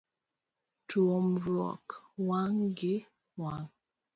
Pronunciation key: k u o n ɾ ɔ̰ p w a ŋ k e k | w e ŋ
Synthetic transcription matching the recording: t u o m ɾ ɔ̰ k w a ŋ ɡ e | w a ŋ